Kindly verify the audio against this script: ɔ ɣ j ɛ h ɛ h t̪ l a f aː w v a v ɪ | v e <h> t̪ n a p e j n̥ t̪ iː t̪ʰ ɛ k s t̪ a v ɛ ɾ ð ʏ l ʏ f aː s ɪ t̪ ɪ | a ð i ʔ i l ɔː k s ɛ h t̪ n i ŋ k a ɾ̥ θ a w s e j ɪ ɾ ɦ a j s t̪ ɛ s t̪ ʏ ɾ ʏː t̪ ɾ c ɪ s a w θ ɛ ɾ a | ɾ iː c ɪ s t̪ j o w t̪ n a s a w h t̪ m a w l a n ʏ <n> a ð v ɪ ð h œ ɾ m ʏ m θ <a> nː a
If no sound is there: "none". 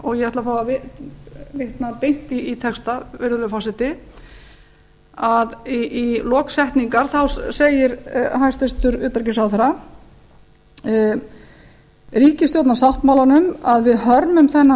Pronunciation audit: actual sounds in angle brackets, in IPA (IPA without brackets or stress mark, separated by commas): h, m, ɛ